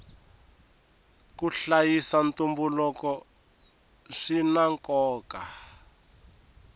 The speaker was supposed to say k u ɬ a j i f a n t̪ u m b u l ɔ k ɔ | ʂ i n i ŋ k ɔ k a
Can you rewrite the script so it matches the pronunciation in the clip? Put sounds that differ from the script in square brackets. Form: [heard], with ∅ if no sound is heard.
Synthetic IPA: k u ɬ a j i [s] a n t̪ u m b u l ɔ k ɔ | ʂ i n [a] ŋ k [ɔː] k a